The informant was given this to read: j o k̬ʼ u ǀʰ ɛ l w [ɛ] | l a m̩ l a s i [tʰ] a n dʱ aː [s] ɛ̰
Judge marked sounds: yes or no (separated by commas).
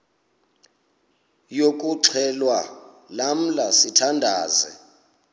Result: no, yes, no